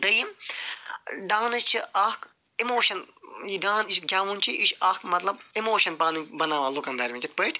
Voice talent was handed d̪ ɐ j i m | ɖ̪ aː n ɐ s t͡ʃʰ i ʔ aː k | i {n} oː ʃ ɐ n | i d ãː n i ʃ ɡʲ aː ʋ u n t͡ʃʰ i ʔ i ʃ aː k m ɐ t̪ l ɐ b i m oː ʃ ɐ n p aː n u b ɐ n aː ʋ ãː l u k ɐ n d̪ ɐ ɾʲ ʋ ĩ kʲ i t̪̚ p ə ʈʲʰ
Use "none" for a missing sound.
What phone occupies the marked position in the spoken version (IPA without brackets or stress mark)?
m